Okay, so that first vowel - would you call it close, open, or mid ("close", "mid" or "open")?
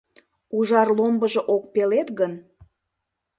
close